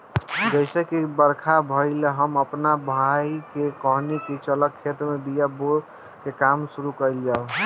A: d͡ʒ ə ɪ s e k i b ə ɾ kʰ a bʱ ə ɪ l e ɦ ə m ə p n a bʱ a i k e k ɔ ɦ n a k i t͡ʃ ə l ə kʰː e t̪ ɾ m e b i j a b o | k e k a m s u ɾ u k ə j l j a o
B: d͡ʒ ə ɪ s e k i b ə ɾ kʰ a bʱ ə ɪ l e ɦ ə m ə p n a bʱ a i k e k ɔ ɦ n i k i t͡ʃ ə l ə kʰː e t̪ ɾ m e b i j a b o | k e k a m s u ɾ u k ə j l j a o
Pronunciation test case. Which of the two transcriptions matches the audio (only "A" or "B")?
B